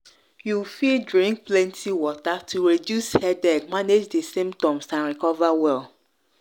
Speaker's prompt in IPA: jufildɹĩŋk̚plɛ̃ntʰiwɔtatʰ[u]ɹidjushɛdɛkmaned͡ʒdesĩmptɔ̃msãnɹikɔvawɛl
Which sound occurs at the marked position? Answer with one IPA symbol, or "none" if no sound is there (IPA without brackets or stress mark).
u